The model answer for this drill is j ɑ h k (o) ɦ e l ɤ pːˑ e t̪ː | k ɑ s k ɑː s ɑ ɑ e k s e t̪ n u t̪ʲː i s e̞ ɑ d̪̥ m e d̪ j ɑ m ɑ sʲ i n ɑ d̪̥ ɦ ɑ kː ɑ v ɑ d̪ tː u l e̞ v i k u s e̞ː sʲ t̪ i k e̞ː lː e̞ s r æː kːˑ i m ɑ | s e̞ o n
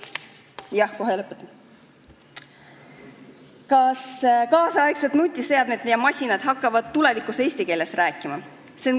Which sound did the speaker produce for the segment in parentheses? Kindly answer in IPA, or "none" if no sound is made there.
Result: o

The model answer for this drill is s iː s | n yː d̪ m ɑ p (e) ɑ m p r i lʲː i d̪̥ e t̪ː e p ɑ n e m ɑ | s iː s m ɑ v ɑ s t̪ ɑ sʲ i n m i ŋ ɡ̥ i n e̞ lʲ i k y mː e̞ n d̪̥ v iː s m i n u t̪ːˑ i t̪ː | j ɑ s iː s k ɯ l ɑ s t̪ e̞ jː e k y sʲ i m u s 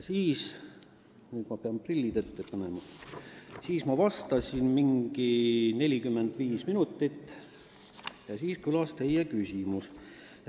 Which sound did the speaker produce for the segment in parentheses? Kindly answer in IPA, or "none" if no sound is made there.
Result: e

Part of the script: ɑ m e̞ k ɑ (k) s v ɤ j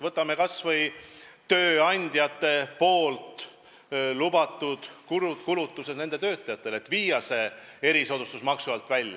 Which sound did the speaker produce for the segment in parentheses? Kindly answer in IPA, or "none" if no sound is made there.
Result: none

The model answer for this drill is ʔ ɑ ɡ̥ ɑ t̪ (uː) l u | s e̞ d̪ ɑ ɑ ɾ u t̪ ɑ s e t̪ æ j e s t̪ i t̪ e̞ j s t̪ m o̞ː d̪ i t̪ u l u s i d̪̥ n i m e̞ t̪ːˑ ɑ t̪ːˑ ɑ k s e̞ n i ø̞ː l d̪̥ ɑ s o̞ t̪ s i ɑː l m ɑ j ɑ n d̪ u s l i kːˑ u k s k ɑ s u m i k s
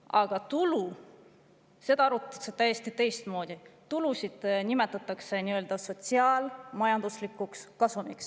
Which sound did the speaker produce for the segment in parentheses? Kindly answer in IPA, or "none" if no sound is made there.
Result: u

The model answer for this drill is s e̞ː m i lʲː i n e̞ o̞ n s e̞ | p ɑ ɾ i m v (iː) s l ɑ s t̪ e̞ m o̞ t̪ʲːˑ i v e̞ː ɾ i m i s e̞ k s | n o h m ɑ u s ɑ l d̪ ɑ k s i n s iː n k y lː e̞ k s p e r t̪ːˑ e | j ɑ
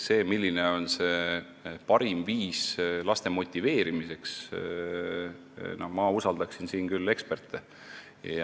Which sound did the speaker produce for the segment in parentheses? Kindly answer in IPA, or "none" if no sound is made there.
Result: iː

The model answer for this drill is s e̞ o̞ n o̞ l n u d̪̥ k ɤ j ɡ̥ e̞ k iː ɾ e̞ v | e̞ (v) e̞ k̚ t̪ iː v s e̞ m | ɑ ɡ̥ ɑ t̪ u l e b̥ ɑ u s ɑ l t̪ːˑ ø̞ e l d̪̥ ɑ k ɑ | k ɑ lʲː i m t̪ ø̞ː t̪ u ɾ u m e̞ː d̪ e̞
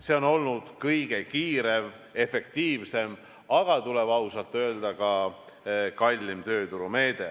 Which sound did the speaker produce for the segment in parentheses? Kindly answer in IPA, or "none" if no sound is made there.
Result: f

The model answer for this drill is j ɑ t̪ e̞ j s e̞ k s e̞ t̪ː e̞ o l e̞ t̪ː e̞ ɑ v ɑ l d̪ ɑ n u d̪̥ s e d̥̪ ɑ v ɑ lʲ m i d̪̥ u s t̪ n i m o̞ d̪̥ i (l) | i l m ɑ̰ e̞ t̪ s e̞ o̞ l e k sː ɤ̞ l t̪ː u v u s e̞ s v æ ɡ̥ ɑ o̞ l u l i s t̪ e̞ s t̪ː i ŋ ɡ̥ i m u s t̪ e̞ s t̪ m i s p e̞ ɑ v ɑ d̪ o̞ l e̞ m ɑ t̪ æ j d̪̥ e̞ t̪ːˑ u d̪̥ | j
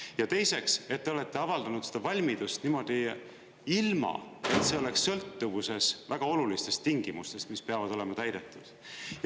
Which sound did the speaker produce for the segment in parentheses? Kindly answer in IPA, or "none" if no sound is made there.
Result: none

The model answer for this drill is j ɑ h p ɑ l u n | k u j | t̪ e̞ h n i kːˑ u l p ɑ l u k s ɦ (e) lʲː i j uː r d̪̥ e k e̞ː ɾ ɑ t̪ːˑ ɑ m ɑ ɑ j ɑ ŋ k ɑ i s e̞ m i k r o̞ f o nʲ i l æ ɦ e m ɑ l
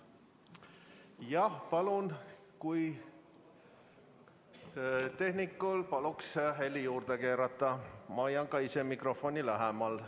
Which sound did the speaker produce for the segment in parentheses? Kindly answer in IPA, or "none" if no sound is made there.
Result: e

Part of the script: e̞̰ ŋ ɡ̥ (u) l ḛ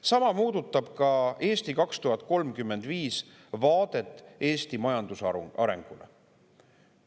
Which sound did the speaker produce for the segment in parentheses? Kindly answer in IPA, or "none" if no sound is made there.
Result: u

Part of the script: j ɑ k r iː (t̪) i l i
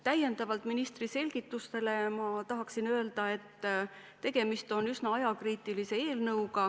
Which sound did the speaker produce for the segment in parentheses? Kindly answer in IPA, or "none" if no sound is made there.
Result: t̪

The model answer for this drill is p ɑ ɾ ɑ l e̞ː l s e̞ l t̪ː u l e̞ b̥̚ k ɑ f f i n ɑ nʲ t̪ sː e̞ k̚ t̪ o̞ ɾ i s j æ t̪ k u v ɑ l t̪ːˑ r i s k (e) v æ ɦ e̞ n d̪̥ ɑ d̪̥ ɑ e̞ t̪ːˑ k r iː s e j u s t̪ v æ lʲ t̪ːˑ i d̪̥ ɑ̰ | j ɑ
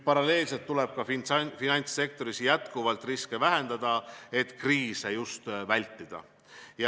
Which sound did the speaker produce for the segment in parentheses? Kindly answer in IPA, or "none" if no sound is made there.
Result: e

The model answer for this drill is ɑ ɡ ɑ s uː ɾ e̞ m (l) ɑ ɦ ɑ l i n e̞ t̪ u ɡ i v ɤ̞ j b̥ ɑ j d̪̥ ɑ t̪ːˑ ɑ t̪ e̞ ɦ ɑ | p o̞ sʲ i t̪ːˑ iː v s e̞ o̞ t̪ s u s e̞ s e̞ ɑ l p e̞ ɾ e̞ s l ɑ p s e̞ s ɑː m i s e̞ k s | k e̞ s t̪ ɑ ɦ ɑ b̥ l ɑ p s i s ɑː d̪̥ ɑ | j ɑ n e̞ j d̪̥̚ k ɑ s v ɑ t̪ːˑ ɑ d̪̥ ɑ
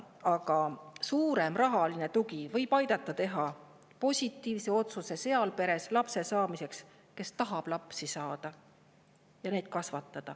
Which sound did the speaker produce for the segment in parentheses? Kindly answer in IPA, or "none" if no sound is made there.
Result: r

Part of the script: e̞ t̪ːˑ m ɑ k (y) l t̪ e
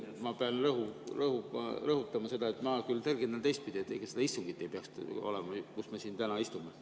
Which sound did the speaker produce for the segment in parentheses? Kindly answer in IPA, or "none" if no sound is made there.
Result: y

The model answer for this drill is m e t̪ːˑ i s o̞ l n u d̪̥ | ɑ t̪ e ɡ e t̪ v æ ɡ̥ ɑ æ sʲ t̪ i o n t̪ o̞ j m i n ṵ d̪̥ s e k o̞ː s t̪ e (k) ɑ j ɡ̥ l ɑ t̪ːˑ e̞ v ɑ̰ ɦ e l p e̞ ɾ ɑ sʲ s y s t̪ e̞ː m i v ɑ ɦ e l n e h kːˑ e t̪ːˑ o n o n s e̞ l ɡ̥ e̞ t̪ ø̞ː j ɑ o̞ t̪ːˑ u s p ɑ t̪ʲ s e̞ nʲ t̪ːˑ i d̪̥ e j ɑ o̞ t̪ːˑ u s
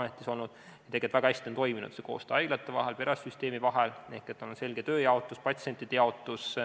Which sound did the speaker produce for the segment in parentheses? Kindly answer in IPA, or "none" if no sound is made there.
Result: none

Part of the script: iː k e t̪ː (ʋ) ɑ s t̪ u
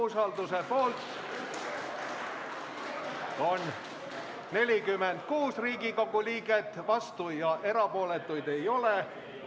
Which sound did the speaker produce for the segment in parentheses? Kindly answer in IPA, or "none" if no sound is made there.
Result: ʋ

